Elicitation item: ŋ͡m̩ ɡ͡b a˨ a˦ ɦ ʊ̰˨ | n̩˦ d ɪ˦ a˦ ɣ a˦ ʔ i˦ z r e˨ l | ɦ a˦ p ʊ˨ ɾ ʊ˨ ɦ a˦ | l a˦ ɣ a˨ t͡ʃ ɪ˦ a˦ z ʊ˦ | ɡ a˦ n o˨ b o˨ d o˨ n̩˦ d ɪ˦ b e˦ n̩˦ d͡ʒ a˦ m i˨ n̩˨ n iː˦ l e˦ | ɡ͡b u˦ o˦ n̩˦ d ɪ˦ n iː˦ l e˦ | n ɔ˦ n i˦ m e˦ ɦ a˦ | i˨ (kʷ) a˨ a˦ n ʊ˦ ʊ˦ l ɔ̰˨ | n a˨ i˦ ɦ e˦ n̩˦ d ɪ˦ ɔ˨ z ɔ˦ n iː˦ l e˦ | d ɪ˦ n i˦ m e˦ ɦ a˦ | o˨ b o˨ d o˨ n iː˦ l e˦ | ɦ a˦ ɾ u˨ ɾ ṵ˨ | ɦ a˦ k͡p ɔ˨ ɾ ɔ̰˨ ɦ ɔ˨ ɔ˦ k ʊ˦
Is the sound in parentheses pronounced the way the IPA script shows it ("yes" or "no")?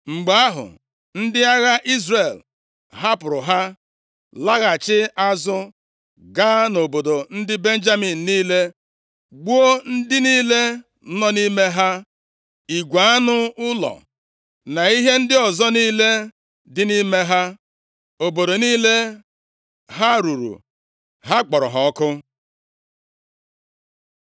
no